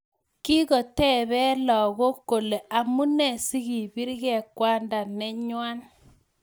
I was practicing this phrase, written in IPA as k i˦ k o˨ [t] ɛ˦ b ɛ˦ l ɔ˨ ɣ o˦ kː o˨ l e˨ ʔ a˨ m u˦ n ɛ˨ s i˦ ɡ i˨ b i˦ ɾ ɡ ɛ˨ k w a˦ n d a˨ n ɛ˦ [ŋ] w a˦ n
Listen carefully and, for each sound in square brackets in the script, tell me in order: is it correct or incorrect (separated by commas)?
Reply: correct, incorrect